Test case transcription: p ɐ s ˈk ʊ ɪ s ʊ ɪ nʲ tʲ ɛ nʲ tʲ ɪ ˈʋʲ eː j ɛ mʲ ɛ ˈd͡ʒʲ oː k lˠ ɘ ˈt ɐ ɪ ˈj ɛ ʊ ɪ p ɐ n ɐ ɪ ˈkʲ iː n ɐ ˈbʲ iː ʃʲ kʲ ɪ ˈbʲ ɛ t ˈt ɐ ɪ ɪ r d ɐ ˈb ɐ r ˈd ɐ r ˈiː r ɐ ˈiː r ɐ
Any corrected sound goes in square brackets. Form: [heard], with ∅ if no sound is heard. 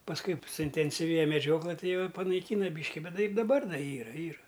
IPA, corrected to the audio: p ɐ s ˈk ʊ ɪ s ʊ ɪ nʲ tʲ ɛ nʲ [sʲ] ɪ ˈʋʲ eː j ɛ mʲ ɛ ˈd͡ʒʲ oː k lˠ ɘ ˈt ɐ ɪ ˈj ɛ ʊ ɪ p ɐ n ɐ ɪ ˈkʲ iː n ɐ ˈbʲ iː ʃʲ kʲ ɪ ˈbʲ ɛ t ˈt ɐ ɪ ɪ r d ɐ ˈb ɐ r ˈd ɐ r ˈiː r ɐ ˈiː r ɐ